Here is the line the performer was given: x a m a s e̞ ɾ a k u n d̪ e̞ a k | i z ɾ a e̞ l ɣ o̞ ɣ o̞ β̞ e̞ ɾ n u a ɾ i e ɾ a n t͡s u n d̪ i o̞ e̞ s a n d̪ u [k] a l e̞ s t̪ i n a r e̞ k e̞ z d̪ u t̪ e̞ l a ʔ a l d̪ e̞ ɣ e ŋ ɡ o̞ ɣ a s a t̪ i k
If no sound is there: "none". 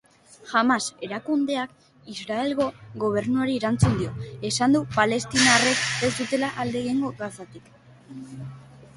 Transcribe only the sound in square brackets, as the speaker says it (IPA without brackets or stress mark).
p